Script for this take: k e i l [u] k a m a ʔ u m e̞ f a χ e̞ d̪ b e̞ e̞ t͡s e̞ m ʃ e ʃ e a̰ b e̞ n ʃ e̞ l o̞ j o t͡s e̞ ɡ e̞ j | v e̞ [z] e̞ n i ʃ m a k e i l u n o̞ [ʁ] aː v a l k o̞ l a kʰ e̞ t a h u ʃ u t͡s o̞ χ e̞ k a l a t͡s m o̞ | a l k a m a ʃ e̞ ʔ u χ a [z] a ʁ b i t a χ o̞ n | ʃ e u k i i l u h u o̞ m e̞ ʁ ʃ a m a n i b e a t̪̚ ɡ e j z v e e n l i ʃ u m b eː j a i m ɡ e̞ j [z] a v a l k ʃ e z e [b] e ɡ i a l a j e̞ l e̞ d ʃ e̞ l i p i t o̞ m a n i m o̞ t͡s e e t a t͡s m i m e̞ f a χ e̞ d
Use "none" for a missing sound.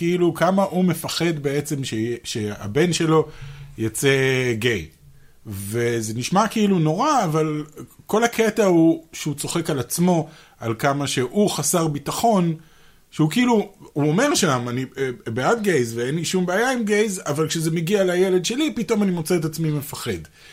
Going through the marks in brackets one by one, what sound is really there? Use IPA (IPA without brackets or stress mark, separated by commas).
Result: u, z, ʁ, s, z, m